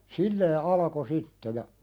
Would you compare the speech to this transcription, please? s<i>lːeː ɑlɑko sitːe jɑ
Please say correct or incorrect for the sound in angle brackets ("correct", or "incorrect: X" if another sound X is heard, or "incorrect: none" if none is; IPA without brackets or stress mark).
correct